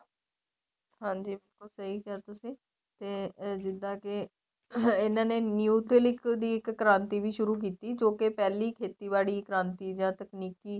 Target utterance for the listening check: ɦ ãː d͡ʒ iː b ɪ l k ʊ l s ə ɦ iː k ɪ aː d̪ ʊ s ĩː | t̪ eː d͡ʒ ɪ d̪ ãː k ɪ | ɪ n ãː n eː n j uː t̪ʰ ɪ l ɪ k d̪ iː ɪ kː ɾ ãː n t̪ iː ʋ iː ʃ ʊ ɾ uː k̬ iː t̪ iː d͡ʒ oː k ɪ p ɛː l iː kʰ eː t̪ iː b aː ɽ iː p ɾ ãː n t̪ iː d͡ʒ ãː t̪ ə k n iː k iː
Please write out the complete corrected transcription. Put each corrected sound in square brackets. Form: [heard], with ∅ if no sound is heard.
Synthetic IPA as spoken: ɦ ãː d͡ʒ iː b ɪ l k ʊ l s ə ɦ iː k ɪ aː [t̪] ʊ s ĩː | t̪ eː d͡ʒ ɪ d̪ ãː k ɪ | ɪ n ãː n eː n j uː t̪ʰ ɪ l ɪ k d̪ iː ɪ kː ɾ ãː n t̪ iː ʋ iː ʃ ʊ ɾ uː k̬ iː t̪ iː d͡ʒ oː k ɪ p ɛː l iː kʰ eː t̪ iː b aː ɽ iː [k] ɾ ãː n t̪ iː d͡ʒ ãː t̪ ə k n iː k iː